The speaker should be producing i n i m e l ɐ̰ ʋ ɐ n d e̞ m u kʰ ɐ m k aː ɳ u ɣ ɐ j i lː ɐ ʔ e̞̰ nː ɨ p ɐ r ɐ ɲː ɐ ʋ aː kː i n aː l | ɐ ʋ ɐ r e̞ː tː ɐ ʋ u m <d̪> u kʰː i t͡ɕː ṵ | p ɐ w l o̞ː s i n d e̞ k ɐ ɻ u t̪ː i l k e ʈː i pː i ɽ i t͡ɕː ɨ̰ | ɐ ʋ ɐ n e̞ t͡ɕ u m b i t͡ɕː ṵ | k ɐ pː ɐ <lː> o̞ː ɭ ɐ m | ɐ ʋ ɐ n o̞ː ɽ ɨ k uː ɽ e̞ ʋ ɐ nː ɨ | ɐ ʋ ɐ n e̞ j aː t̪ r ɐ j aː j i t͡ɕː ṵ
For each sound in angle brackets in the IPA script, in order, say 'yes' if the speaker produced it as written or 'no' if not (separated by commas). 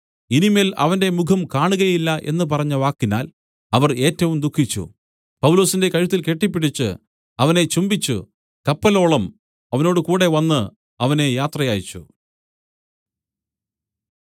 yes, no